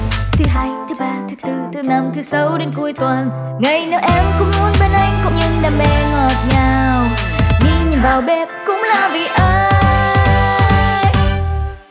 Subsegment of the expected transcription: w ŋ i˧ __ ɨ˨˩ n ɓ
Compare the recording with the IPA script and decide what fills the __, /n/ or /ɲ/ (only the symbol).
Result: ɲ